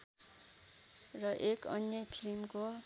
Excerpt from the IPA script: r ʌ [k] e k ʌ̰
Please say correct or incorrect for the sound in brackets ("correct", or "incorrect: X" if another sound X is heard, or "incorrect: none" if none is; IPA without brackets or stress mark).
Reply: incorrect: ʔ